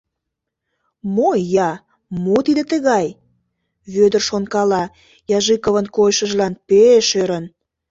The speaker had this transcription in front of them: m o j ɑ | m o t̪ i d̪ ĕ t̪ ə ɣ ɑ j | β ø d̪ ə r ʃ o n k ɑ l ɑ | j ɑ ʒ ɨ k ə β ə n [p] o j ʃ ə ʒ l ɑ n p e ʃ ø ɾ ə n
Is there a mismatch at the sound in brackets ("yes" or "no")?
yes